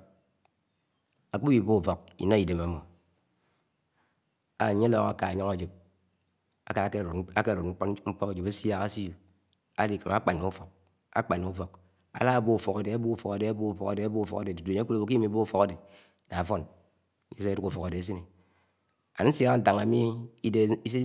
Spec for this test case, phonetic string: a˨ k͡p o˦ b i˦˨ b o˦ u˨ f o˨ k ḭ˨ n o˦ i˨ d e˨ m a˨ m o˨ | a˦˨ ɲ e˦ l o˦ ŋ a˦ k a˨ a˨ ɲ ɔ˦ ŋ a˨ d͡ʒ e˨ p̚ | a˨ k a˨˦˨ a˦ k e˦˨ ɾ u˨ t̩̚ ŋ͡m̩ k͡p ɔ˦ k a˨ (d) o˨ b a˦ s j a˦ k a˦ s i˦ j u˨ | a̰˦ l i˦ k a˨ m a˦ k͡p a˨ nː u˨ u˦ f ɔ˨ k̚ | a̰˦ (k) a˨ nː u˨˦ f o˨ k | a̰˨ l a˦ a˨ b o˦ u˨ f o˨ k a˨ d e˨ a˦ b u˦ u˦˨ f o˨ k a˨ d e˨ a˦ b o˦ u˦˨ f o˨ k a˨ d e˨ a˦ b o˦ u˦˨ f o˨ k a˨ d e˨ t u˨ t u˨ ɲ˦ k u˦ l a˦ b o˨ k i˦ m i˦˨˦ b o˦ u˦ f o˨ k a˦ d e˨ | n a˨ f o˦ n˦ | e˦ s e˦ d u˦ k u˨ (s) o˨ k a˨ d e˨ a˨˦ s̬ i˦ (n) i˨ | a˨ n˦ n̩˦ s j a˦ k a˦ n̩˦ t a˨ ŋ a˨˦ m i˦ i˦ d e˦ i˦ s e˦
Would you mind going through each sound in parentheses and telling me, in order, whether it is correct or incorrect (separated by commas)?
incorrect, incorrect, incorrect, correct